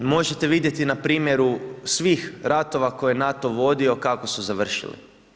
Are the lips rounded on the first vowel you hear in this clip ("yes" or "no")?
yes